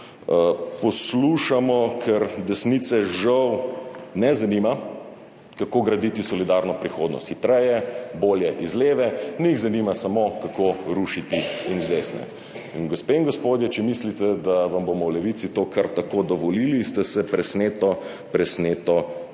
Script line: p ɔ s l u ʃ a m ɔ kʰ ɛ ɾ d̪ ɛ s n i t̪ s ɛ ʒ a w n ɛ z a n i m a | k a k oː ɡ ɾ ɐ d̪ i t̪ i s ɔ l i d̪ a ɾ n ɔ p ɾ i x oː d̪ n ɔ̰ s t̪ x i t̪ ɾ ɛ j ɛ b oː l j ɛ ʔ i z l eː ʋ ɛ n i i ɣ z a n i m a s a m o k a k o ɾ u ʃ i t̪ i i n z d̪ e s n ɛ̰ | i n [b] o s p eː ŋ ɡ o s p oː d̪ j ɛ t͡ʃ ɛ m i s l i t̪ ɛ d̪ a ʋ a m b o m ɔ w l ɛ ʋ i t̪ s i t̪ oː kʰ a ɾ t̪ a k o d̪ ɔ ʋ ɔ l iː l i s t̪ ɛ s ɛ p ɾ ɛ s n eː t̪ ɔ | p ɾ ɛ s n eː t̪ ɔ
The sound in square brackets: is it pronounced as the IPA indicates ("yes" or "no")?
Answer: no